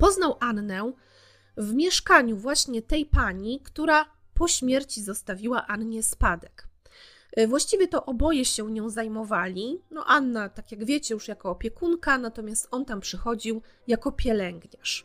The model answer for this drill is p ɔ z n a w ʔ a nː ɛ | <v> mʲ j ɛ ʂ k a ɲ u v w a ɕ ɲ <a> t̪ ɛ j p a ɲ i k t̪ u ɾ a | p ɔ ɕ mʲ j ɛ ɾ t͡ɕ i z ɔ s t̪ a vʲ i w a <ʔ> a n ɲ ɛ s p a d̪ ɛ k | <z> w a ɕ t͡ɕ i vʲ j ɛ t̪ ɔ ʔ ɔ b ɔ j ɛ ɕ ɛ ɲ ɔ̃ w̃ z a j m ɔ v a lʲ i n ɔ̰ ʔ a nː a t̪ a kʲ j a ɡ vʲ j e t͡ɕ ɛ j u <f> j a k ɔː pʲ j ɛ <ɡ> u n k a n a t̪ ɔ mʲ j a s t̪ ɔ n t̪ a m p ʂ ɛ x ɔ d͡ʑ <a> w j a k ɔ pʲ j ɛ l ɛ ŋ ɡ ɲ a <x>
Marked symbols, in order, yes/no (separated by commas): yes, no, yes, no, no, no, no, no